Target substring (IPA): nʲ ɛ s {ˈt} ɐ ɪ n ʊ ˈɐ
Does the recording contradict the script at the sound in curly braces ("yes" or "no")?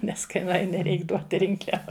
yes